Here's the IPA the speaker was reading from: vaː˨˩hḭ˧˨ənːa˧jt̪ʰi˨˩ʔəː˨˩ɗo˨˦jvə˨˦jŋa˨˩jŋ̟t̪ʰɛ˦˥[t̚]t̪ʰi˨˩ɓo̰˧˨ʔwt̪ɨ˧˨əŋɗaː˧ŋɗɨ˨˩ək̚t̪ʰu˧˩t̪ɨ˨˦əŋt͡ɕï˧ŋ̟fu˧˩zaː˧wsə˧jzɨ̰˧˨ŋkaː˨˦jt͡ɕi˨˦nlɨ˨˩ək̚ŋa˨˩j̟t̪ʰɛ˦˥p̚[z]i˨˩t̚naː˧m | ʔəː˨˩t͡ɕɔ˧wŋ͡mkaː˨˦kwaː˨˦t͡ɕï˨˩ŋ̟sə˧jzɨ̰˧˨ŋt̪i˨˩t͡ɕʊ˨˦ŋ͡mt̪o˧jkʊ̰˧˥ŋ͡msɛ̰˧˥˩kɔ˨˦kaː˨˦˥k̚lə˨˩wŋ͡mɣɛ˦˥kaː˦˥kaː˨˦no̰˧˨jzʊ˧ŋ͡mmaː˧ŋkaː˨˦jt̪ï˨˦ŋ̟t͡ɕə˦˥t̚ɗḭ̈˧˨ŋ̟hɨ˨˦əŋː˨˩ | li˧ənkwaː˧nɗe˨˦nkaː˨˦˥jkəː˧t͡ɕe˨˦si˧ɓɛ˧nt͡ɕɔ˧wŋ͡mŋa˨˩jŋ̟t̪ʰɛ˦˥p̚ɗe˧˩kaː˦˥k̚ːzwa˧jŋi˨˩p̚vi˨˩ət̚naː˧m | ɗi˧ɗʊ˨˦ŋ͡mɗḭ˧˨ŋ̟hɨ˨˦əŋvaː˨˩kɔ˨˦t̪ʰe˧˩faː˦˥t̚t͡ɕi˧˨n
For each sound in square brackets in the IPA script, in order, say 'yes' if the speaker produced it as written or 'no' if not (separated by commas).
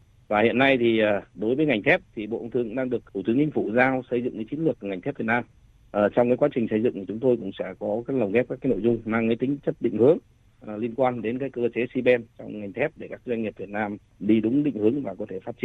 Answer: no, no